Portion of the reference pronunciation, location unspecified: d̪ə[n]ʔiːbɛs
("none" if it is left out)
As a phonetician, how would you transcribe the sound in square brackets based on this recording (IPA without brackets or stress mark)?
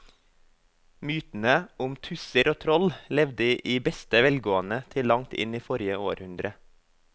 none